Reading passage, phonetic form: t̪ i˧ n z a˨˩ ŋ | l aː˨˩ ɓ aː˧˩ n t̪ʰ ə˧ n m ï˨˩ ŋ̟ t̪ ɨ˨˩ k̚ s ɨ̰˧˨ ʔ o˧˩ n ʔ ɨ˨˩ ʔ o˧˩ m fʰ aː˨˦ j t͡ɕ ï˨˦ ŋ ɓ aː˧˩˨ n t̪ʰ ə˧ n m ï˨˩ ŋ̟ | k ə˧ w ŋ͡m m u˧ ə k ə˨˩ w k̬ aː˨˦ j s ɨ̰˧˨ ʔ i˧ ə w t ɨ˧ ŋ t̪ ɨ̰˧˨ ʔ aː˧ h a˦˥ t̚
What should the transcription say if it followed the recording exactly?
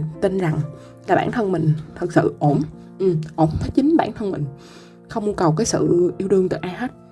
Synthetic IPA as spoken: t̪ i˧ n z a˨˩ ŋ | l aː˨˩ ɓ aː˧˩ n t̪ʰ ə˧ n m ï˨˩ ŋ̟ t̪ʰ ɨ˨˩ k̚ s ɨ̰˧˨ ʔ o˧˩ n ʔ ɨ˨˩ ʔ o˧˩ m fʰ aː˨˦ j t͡ɕ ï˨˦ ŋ ɓ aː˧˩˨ n t̪ʰ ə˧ n m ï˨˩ ŋ̟ | x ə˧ w ŋ͡m m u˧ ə k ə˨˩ w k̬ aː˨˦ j s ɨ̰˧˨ ʔ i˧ ə w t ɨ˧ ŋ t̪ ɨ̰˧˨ ʔ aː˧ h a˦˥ t̚